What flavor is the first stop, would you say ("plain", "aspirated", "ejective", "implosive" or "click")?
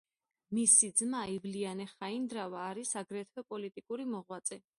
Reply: plain